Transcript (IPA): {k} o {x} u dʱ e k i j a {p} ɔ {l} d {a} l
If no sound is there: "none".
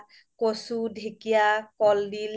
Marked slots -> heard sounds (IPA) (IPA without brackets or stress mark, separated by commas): k, s, k, l, i